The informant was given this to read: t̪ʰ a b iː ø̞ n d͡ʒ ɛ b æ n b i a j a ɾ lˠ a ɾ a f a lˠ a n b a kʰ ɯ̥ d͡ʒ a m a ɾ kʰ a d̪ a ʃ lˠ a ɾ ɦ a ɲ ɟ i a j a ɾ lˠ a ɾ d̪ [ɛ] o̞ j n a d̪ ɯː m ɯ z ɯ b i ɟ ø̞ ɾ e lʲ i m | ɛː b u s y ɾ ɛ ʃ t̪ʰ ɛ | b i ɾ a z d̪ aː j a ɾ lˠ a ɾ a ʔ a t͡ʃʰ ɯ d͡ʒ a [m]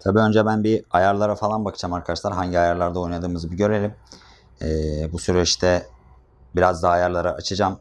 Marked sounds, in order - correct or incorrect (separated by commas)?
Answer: incorrect, correct